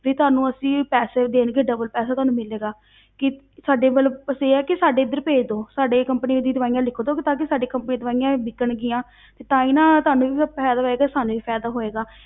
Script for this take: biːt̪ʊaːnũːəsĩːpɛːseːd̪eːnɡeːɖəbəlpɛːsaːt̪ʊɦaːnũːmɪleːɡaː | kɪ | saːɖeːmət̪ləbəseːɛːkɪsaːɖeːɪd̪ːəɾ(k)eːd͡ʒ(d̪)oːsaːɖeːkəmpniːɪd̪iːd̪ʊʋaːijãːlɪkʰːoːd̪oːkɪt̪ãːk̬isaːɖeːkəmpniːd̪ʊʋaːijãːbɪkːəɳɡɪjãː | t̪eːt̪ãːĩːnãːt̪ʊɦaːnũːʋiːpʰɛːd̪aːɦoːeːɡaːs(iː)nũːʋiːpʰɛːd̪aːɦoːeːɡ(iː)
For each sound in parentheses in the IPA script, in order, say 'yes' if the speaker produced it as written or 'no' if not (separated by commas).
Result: no, yes, no, no